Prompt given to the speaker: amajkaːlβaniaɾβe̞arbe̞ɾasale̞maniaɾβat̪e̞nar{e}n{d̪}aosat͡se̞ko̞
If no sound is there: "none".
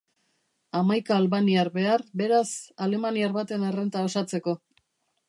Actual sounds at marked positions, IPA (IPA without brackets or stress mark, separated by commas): e, t̪